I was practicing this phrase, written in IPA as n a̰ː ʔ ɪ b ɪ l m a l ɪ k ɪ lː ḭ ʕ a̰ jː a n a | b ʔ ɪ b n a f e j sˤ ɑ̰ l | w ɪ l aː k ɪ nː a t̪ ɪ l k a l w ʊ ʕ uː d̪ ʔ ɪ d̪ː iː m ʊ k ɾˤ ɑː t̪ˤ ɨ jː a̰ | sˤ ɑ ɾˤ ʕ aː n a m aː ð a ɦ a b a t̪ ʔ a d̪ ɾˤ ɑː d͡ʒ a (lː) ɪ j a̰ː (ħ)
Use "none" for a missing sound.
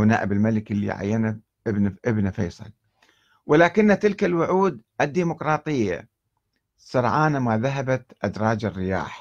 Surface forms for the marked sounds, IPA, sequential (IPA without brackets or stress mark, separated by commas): rː, ħ